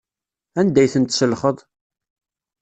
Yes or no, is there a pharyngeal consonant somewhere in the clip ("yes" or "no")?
no